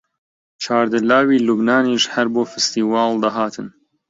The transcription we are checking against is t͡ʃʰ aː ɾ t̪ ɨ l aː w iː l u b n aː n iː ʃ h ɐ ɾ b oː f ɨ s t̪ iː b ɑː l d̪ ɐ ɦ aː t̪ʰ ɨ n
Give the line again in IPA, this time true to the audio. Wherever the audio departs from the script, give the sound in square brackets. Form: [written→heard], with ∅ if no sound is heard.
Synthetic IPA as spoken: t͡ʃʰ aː ɾ [t̪→d̪] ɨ l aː w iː l u b n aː n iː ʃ h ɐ ɾ b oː f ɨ s t̪ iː [b→w] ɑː l d̪ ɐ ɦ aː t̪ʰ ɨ n